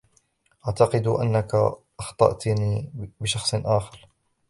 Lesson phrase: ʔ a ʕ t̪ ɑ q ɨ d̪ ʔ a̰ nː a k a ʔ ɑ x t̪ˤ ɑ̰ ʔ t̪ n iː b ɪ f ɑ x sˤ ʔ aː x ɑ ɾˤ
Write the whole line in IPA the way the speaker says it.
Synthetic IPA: ʔ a ʕ t̪ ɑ q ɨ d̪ ʔ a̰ nː a k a ʔ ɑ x t̪ˤ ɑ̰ ʔ t̪ n iː b ɪ ʃ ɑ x sˤ ʔ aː x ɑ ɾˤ